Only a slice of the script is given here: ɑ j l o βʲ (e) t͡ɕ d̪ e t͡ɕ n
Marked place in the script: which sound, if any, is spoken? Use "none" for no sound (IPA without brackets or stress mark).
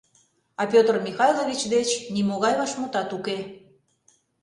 i